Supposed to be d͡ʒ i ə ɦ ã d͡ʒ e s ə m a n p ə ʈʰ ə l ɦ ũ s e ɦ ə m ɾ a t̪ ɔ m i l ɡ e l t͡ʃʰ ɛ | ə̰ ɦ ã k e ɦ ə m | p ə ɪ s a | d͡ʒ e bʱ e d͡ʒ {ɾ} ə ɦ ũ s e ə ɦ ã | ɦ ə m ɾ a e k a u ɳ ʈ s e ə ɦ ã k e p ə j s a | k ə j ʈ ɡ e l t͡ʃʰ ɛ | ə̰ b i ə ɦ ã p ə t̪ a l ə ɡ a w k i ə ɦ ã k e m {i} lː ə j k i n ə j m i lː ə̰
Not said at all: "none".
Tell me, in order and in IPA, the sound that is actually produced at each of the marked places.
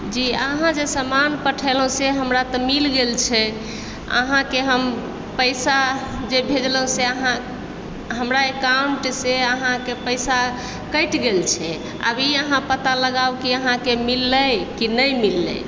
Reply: l, i

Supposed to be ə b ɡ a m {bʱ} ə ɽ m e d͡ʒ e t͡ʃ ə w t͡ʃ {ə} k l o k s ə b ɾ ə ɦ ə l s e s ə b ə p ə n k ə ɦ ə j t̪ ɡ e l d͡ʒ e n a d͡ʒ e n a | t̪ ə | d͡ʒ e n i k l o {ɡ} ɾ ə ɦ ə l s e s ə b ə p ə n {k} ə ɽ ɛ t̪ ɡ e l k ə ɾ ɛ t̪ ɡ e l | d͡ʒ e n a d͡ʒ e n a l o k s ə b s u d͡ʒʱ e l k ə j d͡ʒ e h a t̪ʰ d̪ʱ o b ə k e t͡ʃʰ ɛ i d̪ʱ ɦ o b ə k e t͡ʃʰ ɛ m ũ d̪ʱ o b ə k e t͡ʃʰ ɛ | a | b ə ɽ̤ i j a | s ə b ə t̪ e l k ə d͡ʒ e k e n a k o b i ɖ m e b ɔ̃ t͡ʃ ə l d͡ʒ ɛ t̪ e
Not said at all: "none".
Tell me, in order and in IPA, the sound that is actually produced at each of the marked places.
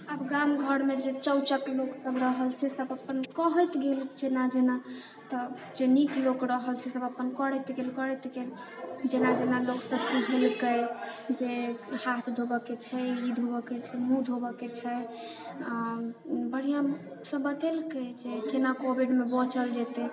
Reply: ɡʱ, ə, k, k

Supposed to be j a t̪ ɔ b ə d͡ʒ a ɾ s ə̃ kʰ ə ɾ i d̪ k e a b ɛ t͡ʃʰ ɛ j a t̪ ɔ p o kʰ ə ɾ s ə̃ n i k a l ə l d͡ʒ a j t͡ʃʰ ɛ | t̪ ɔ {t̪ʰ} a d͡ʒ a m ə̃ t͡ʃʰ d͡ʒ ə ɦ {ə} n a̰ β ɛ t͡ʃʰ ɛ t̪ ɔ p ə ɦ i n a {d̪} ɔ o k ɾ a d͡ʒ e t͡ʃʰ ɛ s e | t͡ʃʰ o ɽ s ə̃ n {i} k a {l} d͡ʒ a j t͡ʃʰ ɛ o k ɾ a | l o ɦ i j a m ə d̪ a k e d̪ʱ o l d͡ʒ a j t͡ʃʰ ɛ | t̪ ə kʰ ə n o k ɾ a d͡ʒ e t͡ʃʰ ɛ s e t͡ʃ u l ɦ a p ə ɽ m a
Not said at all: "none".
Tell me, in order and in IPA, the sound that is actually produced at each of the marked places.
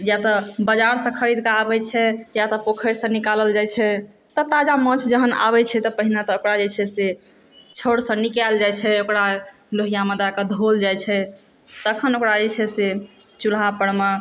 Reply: t̪, ə, t̪, i, l

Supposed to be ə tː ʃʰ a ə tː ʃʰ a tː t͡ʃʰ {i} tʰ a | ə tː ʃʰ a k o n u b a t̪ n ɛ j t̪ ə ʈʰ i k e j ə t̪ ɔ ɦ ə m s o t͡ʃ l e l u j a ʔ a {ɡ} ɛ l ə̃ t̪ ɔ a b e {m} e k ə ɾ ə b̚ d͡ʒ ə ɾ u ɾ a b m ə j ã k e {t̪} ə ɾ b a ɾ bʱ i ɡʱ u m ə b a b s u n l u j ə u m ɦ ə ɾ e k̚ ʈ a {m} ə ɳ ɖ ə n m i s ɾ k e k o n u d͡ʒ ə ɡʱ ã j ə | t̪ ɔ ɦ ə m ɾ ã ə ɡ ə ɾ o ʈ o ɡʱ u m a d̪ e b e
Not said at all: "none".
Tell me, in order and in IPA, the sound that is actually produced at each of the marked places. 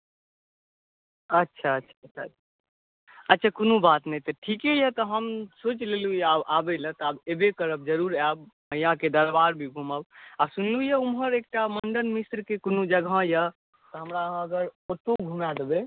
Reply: a, b, b, d̪, m

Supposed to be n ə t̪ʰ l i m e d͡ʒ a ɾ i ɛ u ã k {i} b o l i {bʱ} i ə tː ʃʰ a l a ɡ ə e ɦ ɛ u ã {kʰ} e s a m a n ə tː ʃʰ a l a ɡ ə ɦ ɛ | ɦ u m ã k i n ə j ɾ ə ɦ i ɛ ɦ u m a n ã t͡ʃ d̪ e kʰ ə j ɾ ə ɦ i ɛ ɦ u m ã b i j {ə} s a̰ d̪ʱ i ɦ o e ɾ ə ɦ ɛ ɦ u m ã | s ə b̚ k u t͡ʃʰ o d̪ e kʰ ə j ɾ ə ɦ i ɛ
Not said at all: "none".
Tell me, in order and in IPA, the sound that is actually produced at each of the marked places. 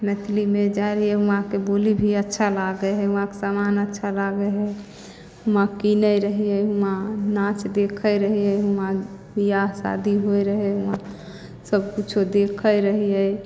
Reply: e, bʱ, k, a

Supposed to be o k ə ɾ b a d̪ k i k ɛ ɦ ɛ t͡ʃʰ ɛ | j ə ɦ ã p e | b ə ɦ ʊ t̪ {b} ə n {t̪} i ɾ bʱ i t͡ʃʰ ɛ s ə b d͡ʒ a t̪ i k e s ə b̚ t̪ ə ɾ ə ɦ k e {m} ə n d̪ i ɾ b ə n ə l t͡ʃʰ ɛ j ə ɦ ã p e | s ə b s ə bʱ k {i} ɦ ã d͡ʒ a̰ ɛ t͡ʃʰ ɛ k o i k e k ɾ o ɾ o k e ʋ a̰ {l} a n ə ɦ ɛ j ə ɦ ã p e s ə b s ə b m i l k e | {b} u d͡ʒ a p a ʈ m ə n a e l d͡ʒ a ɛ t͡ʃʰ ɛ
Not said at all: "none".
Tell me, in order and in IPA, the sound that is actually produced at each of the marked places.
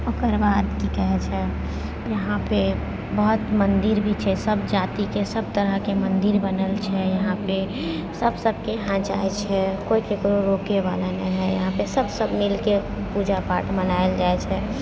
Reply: m, d̪, m, e, l, p

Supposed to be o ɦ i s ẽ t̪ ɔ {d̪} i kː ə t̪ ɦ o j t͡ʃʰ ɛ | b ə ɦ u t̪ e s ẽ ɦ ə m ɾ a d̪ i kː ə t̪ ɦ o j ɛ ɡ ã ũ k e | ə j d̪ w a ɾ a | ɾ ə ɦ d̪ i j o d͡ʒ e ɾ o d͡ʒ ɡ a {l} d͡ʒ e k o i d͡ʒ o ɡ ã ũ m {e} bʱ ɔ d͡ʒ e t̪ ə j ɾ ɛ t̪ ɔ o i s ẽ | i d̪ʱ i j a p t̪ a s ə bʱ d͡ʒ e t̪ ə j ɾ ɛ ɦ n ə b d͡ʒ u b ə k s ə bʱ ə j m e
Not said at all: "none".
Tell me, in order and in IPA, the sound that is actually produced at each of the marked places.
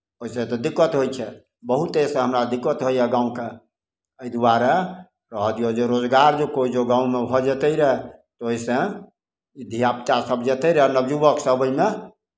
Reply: d̪, ɾ, e

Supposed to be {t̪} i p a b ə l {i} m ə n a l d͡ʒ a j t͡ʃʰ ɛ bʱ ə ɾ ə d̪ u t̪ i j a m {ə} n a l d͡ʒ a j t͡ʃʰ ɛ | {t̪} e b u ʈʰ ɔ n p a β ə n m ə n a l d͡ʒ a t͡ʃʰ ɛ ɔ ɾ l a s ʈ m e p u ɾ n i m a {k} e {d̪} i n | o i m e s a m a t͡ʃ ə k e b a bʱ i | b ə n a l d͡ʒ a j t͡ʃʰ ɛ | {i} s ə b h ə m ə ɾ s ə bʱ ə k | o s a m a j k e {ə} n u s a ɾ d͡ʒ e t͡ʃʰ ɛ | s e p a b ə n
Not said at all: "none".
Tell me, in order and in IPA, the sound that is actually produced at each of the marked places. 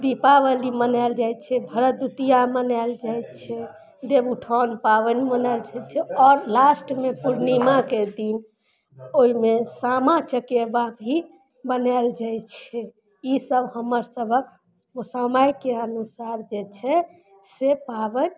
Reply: d̪, i, ə, d̪, k, d̪, i, ə

